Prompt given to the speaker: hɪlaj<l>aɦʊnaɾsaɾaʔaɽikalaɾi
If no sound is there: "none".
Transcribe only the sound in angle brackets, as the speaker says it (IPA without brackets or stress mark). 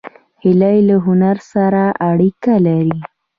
l